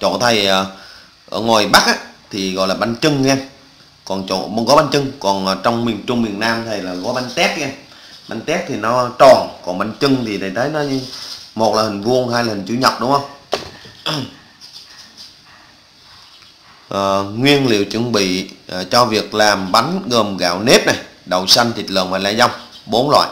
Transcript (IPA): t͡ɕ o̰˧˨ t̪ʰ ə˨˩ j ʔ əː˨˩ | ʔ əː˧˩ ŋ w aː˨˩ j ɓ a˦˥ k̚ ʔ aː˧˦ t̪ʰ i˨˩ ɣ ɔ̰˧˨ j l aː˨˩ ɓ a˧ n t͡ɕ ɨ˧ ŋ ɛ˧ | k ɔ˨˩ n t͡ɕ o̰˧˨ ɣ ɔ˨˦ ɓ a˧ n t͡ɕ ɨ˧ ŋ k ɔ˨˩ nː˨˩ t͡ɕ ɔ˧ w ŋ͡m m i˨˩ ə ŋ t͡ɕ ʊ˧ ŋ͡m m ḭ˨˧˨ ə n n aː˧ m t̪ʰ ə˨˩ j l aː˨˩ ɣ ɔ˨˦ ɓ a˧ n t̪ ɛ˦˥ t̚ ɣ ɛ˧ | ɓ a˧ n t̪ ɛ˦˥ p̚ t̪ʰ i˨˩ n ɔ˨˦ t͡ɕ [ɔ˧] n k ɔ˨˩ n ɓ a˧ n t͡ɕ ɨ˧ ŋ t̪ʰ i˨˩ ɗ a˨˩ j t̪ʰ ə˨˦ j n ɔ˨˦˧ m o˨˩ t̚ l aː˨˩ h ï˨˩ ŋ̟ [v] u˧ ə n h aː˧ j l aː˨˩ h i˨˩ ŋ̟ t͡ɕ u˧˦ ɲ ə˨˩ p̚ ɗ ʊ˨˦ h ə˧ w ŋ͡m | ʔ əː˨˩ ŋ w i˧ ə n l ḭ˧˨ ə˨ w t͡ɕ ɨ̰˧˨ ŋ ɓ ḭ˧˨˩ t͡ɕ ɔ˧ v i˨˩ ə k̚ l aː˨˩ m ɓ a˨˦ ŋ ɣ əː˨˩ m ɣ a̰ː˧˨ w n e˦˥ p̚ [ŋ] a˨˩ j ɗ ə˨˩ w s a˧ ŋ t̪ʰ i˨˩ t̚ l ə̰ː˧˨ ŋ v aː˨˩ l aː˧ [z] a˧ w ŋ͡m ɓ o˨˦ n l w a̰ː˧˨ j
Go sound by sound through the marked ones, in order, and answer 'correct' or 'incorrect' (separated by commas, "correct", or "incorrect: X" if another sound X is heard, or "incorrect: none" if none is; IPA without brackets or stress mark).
incorrect: ɔ˨˩, correct, incorrect: n, correct